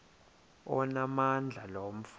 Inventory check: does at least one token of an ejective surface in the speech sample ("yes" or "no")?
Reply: no